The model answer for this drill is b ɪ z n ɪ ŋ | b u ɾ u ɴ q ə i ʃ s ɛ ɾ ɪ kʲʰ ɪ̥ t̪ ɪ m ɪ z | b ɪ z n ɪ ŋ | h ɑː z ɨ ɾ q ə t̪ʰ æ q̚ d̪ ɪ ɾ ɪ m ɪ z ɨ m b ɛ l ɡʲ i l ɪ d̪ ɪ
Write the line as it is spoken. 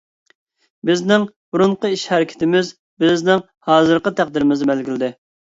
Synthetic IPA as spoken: b ɪ z n ɪ ŋ | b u ɾ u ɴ q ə i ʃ h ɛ ɾ ɪ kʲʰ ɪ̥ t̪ ɪ m ɪ z | b ɪ z n ɪ ŋ | h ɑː z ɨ ɾ q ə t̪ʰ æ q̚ d̪ ɪ ɾ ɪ m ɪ z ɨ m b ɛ l ɡʲ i l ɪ d̪ ɪ